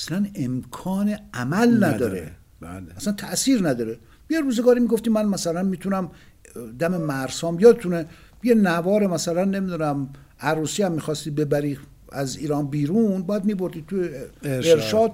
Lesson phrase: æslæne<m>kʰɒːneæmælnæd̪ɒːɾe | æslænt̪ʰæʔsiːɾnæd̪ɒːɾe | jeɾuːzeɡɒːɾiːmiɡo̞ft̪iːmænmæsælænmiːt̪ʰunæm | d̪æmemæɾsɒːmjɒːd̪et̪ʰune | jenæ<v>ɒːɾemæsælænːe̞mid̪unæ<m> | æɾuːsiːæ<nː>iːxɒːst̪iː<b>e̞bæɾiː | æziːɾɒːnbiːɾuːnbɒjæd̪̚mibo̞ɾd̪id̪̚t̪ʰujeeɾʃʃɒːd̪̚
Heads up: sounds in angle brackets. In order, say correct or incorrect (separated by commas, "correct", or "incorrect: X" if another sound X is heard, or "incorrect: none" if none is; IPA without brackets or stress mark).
correct, correct, correct, incorrect: mː, correct